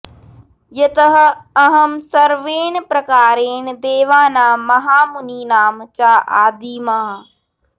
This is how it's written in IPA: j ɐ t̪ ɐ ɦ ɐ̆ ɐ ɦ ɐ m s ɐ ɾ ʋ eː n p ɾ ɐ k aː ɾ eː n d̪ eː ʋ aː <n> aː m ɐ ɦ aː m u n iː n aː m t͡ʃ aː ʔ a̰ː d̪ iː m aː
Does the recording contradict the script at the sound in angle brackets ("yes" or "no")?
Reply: no